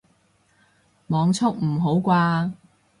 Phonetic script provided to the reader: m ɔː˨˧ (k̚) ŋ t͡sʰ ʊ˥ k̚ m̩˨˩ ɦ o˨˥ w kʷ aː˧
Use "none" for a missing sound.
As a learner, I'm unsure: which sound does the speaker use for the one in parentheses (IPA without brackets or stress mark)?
none